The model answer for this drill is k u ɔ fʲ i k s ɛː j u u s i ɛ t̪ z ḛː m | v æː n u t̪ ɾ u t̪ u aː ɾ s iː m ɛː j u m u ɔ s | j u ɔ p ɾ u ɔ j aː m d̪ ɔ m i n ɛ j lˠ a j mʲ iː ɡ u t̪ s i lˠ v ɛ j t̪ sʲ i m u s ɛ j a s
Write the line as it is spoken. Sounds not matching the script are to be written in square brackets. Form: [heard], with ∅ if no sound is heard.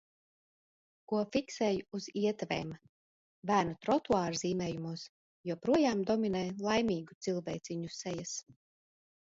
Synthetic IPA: k u ɔ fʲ i k s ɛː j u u [z] i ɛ t̪ [v] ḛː m | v æː n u t̪ ɾ [ɔ] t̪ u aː ɾ [z] iː m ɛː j u m u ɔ s | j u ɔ p ɾ u ɔ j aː m d̪ ɔ m i n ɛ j lˠ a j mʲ iː ɡ u t̪ s i lˠ v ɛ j t̪ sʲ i [ɲ] u s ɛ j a s